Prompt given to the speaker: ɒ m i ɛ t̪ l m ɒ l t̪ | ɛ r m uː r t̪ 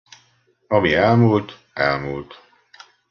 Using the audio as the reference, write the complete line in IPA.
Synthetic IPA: ɒ m i ɛ l m u l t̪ | ɛ l m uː l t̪